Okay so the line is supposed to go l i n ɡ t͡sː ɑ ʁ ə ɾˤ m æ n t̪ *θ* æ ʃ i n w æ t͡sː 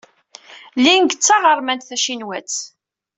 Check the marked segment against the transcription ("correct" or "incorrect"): correct